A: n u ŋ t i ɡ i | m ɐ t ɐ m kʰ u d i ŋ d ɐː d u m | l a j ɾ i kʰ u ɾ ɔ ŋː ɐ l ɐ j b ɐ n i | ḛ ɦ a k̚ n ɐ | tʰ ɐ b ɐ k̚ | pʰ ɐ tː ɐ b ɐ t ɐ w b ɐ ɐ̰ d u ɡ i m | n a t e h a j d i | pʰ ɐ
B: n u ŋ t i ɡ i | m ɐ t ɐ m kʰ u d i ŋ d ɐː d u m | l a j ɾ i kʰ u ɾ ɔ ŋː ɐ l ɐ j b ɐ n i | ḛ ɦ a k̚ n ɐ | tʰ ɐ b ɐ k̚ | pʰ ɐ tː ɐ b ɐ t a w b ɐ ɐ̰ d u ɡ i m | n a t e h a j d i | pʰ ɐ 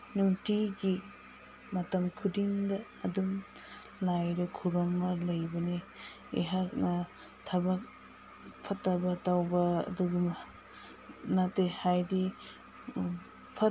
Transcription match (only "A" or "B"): B